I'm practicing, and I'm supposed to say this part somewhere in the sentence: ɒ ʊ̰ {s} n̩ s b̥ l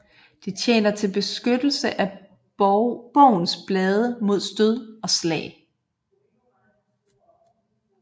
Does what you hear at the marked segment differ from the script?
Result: yes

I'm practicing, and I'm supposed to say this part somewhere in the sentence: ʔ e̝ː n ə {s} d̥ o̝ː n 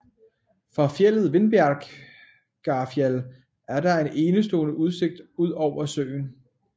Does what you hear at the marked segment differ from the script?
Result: no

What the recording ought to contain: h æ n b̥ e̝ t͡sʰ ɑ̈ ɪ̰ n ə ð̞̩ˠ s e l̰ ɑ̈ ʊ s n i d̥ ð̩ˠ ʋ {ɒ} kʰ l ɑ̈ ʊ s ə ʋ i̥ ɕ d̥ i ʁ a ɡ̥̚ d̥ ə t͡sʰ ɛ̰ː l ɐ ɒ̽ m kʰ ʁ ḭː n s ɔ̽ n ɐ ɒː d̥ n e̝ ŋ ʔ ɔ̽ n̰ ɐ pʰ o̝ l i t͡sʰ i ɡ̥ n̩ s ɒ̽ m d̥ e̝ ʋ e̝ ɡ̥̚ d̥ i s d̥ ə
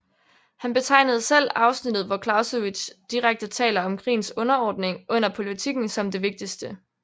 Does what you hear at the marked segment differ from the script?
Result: no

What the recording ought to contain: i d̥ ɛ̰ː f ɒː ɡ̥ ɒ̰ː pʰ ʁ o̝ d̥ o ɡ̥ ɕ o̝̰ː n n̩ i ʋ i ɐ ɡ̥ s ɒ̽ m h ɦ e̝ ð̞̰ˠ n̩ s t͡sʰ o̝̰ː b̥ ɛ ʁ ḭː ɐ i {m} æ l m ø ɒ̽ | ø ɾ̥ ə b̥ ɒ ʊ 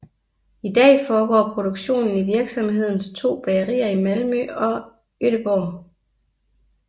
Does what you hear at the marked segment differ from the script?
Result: no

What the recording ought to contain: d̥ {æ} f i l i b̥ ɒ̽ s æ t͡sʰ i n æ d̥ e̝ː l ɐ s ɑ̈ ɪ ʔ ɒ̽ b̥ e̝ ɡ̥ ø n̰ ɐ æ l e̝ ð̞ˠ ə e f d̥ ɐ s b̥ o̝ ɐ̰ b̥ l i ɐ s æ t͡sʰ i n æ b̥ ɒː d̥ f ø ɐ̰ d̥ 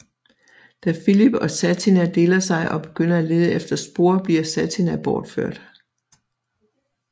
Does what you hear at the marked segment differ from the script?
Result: no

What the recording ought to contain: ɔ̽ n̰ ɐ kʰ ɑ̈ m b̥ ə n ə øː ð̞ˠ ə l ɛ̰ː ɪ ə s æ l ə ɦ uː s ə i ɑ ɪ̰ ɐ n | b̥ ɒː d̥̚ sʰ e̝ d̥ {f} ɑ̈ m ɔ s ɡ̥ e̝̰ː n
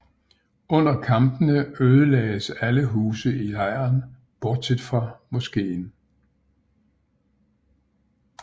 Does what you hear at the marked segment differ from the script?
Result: no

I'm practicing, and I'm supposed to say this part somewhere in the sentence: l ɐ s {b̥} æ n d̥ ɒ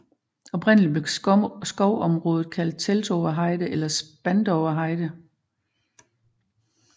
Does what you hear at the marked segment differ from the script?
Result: no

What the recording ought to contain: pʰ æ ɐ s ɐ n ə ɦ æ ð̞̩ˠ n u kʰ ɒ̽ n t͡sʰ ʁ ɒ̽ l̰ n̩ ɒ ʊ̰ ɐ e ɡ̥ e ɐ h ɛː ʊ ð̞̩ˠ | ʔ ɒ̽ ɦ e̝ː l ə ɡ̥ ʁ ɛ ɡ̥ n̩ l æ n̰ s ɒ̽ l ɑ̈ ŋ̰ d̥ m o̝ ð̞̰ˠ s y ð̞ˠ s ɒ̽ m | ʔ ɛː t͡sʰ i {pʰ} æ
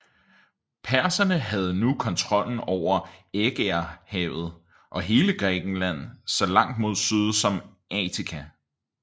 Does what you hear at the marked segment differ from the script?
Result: yes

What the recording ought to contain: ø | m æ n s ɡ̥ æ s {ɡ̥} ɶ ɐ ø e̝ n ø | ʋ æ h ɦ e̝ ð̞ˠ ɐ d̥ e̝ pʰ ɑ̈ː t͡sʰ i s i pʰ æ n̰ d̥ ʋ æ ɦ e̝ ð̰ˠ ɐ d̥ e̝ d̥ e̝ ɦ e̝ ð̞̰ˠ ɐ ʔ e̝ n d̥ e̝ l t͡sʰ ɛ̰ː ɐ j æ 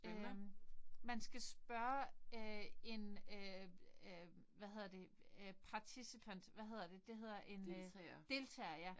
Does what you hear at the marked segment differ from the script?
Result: yes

